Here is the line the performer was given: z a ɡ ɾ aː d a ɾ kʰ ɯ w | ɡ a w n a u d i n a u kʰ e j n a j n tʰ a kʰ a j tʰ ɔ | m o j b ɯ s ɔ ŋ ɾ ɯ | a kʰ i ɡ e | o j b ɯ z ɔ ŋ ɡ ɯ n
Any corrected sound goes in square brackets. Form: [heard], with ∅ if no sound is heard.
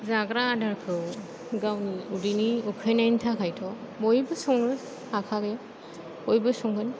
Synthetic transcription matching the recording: z a ɡ ɾ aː d a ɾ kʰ ɯ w | ɡ a w n [i] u d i n [i] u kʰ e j n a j n tʰ a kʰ a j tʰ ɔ | m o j b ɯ s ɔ ŋ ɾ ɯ | a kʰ [a] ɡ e | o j b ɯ [s] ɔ ŋ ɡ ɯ n

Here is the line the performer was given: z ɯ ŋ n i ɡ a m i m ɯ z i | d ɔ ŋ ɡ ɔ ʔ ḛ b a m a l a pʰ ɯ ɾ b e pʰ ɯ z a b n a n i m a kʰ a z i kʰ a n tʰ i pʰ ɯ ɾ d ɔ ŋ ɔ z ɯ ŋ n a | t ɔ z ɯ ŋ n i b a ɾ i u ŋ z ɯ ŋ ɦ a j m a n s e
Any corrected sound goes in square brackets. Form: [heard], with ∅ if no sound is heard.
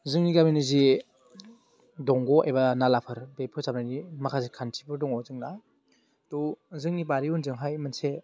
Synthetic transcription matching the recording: z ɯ ŋ n i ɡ a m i [n] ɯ z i | d ɔ ŋ ɡ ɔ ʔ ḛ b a [n] a l a pʰ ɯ ɾ b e pʰ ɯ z a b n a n i m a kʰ a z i kʰ a n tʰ i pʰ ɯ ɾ d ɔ ŋ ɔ z ɯ ŋ n a | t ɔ z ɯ ŋ n i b a ɾ i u [n] z ɯ ŋ ɦ a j m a n s e

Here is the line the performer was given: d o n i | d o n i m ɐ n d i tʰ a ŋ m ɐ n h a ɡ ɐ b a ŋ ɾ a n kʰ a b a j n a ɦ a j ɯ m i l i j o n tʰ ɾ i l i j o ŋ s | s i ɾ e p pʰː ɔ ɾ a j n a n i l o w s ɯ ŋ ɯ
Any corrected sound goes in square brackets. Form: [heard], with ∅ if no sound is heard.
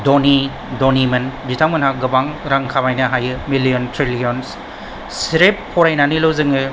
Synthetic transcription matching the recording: d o n i | d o n i m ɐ n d i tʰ a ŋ m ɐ n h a ɡ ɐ b a ŋ ɾ a [ŋ] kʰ a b a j n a ɦ a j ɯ m i l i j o n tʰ ɾ i l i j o [n] s | s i ɾ e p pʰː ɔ ɾ a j n a n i l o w [z] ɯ ŋ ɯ

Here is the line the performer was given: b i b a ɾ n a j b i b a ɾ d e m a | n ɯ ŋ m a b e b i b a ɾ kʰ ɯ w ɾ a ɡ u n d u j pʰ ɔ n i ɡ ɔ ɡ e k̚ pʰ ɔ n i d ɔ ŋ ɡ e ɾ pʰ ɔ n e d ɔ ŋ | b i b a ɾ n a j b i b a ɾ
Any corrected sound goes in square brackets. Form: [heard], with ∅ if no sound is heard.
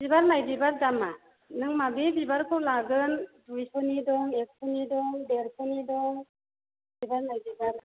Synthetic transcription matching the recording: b i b a ɾ n a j b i b a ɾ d [a] m a | n ɯ ŋ m a b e b i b a ɾ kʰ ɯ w [l] a ɡ [ɯ] n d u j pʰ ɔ n i [d] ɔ [ŋ] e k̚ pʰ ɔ n i d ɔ ŋ [d] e ɾ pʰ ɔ n [i] d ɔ ŋ | b i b a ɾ n a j b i b a ɾ

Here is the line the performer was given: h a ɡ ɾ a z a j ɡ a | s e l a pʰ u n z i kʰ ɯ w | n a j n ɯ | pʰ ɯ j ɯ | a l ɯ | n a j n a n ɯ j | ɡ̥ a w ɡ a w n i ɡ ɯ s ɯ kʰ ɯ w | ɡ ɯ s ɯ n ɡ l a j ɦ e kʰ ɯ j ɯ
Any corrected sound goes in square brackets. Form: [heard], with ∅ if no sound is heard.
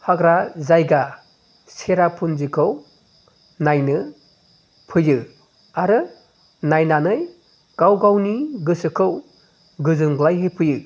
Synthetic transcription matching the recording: h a ɡ ɾ a z a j ɡ a | s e [ɾ] a pʰ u n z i kʰ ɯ w | n a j n ɯ | pʰ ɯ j ɯ | a [ɾ] ɯ | n a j n a n ɯ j | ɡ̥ a w ɡ a w n i ɡ ɯ s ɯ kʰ ɯ w | ɡ ɯ [z] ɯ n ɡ l a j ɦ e [pʰ] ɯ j ɯ

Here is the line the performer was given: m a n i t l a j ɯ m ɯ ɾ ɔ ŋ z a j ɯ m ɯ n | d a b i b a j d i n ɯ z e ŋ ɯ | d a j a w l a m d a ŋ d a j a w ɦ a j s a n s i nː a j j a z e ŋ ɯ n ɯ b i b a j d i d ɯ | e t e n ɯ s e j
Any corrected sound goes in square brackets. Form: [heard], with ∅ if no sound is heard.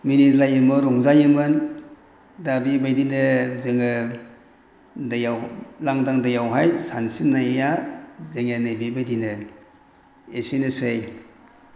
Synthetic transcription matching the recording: m [i] n i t l a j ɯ m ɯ ɾ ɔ ŋ z a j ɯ m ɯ n | d a b i b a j d i n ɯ z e ŋ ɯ | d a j a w l a [ŋ] d a ŋ d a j a w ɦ a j s a n s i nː a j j a z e ŋ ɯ n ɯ b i b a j d i [n] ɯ | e [s] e n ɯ s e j

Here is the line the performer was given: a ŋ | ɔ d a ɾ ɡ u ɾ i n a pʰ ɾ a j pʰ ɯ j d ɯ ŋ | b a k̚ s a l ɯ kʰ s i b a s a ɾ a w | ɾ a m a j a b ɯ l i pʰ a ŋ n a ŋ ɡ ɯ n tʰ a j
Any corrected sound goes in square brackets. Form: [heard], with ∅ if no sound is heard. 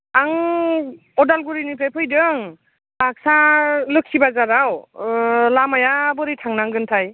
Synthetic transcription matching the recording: a ŋ | ɔ d a [l] ɡ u ɾ i n [i] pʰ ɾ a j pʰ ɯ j d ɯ ŋ | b a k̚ s a l ɯ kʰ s i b a [z] a ɾ a w | [l] a m a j a b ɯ [ɾ] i [tʰ] a ŋ n a ŋ ɡ ɯ n tʰ a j

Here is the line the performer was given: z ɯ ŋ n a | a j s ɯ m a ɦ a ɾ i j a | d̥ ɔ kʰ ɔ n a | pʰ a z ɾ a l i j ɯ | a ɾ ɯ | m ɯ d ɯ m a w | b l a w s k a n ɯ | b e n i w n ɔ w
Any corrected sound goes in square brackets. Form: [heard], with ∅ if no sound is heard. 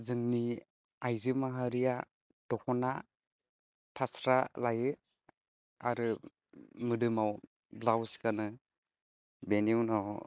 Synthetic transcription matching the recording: z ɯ ŋ n [i] | a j [z] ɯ m a ɦ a ɾ i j a | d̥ ɔ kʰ ɔ n a | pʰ a [s] ɾ a l [a] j ɯ | a ɾ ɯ | m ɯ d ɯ m a w | b l a w s k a n ɯ | b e n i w n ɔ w

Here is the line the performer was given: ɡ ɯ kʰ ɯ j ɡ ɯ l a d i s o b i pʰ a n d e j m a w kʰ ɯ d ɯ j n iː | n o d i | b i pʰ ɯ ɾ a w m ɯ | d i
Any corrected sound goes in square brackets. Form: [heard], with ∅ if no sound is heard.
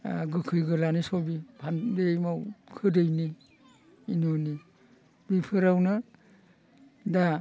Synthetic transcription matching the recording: ɡ ɯ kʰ ɯ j ɡ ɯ l a [n] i s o b i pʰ a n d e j m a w kʰ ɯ d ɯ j n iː | n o [n] i | b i pʰ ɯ ɾ a w [n] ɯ | d [a]

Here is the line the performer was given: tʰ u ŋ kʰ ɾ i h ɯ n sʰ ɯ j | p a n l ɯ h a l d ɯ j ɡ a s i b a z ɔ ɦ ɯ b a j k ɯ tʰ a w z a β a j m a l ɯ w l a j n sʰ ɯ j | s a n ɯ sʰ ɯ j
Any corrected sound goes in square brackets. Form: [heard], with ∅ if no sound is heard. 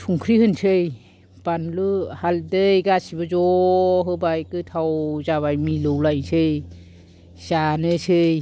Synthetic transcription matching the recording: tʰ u ŋ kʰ ɾ i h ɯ n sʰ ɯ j | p a n l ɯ h a l d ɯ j ɡ a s i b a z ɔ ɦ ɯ b a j k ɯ tʰ a w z a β a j m [i] l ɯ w l a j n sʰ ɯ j | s a n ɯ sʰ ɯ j

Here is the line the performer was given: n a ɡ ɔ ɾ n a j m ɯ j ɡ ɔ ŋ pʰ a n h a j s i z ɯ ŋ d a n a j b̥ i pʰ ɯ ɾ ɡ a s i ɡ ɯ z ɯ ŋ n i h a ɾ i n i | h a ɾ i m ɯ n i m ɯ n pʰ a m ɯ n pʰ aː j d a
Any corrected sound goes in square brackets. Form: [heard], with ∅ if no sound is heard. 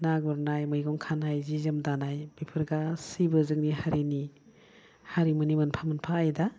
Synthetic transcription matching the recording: n a ɡ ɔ ɾ n a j m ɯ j ɡ ɔ ŋ [kʰ] a n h a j [z] i z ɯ [m] d a n a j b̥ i pʰ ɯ ɾ ɡ a s i [b] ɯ z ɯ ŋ n i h a ɾ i n i | h a ɾ i m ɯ n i m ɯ n pʰ a m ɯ n pʰ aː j d a

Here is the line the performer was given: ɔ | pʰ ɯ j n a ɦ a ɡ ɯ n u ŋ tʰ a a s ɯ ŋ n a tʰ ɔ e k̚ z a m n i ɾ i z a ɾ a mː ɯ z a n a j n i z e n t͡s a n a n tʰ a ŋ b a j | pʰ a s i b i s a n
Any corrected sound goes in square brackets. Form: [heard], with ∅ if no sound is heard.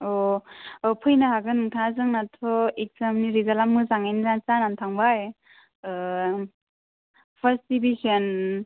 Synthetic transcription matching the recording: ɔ | pʰ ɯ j n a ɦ a ɡ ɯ n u ŋ tʰ a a [z] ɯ ŋ n a tʰ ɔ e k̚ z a m n i ɾ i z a [l] a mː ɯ z a [ŋ] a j n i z [a] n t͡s a n a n tʰ a ŋ b a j | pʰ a s i b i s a n

